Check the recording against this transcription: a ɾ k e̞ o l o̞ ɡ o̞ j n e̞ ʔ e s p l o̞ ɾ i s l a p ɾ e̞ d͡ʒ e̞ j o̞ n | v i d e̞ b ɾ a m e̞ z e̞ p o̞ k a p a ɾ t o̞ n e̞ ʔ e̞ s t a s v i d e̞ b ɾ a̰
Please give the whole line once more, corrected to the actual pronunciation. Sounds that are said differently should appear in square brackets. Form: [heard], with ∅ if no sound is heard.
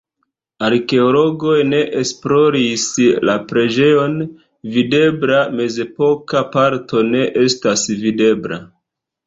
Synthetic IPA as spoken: a ɾ k e̞ o l o̞ ɡ o̞ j n e̞ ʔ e s p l o̞ ɾ i s l a p ɾ e̞ d͡ʒ e̞ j o̞ n | v i d e̞ b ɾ a m e̞ z e̞ p o̞ k a p a ɾ t o̞ n e̞ ʔ e̞ s t a s v i d e̞ b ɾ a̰